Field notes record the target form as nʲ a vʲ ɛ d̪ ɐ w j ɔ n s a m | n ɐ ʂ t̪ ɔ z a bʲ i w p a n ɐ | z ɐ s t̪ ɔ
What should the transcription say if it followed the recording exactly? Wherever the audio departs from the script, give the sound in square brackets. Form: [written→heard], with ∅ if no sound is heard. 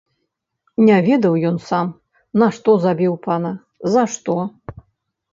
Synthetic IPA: nʲ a vʲ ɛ d̪ ɐ w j ɔ n s a m | n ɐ ʂ t̪ ɔ z a bʲ i w p a n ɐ | z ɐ [s→ʂ] t̪ ɔ